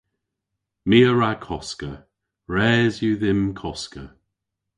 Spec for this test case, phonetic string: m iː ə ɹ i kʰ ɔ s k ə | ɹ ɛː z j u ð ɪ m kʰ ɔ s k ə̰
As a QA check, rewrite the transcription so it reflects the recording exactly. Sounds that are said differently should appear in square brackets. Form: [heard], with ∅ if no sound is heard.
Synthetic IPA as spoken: m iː ə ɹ [a] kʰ ɔ s k ə | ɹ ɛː z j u ð ɪ m kʰ ɔ s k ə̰